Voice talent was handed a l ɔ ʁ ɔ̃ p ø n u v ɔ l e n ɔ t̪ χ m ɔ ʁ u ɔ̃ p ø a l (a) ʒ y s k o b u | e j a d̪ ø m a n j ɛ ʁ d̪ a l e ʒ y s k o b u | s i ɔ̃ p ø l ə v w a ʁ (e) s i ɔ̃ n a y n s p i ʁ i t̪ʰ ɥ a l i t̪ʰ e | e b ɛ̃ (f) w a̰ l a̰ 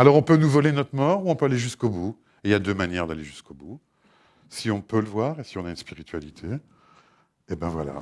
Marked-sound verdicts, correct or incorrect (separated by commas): incorrect, correct, incorrect